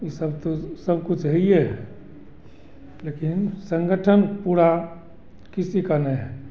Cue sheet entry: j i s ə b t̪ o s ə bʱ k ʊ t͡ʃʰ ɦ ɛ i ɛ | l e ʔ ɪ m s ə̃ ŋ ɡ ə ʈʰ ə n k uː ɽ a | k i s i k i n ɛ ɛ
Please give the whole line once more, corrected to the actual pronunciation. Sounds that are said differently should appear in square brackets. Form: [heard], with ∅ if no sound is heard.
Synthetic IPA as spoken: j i s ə b t̪ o s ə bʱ k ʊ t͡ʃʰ ɦ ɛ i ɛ | l e [k] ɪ [n] s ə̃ ŋ ɡ ə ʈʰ ə n [p] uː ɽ a | k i s i k [a] n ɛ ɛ